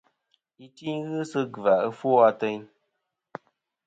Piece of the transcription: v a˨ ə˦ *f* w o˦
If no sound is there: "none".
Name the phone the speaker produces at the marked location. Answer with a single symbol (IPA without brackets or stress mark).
f